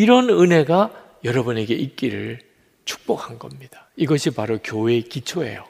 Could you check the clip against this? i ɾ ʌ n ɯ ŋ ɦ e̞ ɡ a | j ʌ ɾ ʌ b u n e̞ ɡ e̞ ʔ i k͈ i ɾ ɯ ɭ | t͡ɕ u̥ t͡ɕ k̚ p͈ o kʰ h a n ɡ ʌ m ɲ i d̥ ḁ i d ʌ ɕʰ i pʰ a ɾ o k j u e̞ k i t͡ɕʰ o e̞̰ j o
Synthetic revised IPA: i ɾ ʌ n ɯ n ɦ e̞ ɡ a | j ʌ ɾ ʌ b u n e̞ ɡ e̞ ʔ i k͈ i ɾ ɯ ɭ | t͡ɕ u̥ k̚ p͈ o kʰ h a n ɡ ʌ m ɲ i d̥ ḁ i ɡ ʌ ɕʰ i p a ɾ o k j o e̞ k i t͡ɕʰ o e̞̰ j o